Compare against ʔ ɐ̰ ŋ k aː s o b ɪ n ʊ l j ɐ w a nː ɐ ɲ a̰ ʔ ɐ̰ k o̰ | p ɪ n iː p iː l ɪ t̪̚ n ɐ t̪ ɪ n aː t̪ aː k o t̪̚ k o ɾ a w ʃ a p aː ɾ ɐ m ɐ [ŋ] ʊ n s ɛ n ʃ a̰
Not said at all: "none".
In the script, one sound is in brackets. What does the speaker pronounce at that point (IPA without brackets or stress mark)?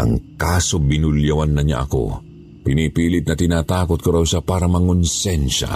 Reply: ŋ